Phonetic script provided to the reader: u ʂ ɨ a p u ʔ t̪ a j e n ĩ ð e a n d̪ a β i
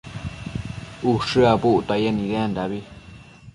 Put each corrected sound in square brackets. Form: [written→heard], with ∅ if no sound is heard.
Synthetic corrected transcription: u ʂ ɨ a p u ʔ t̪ a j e n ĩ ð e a n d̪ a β i